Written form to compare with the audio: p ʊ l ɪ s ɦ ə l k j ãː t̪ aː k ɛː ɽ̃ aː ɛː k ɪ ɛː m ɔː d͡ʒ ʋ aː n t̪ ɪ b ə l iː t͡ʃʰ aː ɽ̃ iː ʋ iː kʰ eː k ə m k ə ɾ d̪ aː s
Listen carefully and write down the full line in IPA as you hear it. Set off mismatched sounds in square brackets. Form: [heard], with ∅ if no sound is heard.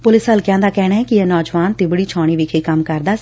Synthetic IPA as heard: p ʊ l ɪ s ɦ ə l k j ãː [d̪] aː k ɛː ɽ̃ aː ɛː k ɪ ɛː [n] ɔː d͡ʒ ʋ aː n t̪ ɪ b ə [ɽ] iː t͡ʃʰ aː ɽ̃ iː ʋ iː kʰ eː k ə m k ə ɾ d̪ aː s